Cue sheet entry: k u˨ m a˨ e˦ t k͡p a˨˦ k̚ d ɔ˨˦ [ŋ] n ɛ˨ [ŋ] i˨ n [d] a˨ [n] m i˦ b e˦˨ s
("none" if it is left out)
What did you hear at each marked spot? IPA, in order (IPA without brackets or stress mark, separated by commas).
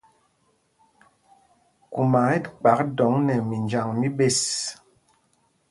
ŋ, m, d͡ʒ, ŋ